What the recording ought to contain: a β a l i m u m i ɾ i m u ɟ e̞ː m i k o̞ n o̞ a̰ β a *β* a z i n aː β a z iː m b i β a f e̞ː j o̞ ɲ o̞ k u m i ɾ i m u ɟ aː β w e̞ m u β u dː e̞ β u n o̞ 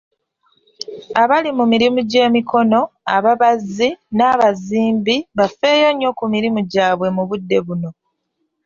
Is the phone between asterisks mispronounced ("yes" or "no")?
no